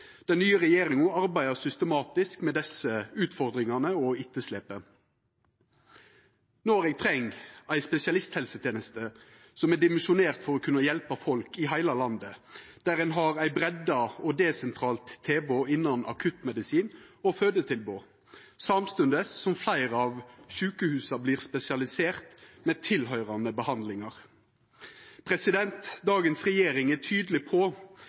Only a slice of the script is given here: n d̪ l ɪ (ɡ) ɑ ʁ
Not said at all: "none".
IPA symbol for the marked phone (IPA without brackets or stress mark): ŋ